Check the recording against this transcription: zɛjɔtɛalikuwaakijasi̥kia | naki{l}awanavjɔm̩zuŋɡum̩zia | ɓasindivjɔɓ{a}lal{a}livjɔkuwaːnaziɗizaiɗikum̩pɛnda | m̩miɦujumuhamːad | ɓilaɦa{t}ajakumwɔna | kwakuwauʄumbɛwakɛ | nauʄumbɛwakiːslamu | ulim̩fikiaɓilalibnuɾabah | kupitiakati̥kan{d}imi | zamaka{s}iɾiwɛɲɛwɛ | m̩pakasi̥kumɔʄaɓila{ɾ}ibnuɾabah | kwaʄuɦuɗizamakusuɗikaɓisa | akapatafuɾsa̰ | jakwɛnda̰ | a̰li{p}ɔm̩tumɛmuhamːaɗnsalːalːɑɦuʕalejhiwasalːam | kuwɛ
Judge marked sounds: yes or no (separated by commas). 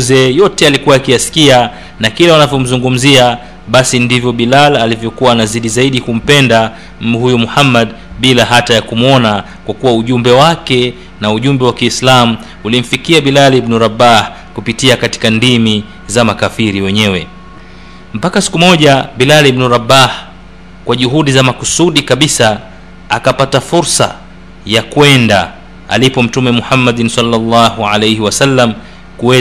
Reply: yes, no, yes, yes, yes, no, no, yes